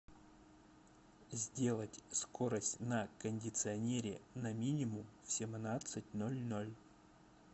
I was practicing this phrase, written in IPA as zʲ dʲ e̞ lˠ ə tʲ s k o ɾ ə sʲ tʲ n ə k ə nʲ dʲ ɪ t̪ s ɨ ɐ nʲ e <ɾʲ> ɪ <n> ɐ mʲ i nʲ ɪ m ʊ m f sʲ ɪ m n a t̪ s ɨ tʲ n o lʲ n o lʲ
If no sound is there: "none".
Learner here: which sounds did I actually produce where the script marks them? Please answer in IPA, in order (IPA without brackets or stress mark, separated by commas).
ɾʲ, n